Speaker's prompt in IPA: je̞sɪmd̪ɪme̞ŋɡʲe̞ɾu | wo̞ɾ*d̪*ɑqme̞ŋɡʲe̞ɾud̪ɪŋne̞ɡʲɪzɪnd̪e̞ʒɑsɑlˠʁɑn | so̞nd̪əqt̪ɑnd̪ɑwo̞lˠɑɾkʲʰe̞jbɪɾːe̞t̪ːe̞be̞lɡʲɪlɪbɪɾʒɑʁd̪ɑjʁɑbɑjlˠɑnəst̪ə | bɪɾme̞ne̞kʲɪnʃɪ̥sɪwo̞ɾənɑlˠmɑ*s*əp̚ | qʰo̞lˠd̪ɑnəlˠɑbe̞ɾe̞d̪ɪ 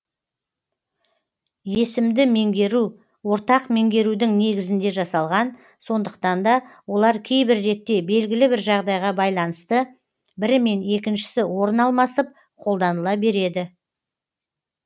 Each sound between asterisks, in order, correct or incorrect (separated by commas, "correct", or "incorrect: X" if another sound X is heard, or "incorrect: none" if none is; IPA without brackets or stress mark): incorrect: t̪, correct